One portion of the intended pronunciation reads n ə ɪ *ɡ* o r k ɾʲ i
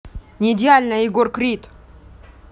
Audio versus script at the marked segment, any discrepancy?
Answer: no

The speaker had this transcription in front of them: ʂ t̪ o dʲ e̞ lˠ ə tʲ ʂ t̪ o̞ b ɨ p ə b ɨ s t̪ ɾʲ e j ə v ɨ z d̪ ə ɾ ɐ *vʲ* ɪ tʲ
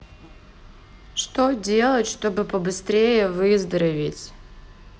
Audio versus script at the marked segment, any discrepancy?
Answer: no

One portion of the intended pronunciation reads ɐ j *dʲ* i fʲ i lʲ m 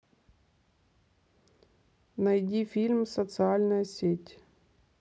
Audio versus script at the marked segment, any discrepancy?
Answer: no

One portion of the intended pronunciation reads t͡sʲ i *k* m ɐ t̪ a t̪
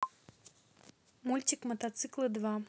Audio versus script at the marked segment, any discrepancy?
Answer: no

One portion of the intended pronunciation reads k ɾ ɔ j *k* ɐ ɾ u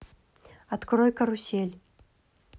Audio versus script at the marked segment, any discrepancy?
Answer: no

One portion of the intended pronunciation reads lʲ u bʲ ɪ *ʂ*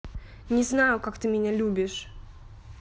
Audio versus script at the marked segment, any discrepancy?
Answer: no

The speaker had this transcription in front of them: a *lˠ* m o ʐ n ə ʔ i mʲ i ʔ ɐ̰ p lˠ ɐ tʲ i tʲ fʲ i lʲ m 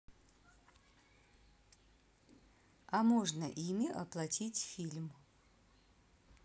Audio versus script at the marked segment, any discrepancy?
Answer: yes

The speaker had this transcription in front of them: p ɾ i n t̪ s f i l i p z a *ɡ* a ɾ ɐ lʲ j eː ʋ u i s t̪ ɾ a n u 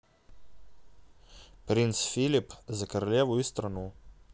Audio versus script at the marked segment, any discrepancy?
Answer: yes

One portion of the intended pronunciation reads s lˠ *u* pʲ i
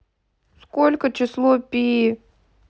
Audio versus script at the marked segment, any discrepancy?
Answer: yes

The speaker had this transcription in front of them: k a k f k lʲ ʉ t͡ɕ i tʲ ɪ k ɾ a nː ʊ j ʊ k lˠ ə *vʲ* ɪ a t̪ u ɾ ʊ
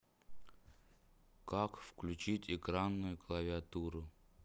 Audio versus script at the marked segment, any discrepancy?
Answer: no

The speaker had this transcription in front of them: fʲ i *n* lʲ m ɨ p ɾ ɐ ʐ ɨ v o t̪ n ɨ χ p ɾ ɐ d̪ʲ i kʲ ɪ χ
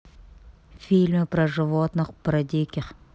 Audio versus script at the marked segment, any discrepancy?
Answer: yes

